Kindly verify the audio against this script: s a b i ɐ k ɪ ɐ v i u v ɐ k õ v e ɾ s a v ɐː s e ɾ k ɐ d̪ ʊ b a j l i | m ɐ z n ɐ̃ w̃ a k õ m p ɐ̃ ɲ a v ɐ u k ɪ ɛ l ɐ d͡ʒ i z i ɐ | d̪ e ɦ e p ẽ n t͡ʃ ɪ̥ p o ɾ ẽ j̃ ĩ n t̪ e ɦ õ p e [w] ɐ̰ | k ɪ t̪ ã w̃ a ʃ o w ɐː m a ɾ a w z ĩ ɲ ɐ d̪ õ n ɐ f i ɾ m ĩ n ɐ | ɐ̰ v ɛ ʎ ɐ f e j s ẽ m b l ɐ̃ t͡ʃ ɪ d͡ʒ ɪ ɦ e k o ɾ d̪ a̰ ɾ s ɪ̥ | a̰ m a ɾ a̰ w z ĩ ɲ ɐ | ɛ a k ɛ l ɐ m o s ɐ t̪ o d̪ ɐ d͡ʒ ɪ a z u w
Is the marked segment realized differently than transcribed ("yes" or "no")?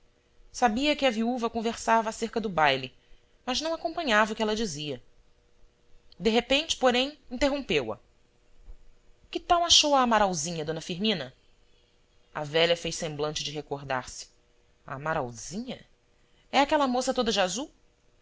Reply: no